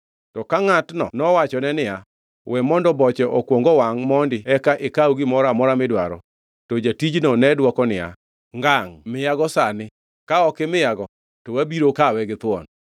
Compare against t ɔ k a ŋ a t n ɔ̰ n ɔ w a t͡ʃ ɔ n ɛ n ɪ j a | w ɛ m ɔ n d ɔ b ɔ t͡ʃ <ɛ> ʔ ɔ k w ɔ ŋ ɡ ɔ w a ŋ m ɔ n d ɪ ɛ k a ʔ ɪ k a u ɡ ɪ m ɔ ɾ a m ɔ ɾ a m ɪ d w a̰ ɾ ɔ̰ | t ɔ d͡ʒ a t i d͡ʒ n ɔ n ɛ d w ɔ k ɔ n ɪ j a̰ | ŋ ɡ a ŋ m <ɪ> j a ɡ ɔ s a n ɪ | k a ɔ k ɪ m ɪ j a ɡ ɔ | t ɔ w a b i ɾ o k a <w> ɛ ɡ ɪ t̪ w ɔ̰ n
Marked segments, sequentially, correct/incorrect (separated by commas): correct, correct, correct